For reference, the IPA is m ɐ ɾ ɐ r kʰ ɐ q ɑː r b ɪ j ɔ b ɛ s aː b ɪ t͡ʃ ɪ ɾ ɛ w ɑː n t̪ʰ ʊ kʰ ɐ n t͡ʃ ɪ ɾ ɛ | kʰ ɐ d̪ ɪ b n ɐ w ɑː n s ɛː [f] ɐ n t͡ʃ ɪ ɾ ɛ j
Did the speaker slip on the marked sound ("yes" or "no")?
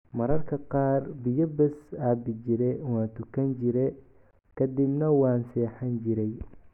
yes